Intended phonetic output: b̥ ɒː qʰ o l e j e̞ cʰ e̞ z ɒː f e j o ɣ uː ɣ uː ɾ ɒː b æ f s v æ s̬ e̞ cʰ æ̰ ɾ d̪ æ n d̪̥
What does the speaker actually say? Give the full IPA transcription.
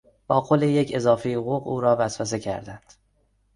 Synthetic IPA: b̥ ɒː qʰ o l e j e̞ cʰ e̞ z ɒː f e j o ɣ uː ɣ uː ɾ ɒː v æ s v æ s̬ e̞ cʰ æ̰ ɾ d̪ æ n d̪̥